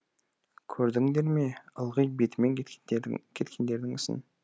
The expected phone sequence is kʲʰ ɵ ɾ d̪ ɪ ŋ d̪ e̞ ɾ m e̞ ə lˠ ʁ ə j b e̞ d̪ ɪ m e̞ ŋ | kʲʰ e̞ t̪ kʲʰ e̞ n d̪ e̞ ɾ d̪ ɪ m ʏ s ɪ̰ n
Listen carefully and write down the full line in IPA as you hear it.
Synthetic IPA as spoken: kʲʰ ɵ ɾ d̪ ɪ ŋ d̪ e̞ ɾ m e̞ ə lˠ ʁ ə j b e̞ t̪ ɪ m e̞ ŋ | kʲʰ e̞ t̪ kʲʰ e̞ n d̪ e̞ ɾ d̪ ɪ ŋ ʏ s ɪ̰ n